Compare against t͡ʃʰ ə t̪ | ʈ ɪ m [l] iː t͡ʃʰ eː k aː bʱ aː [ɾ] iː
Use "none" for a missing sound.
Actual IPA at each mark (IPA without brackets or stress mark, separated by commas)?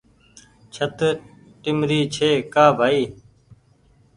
ɾ, none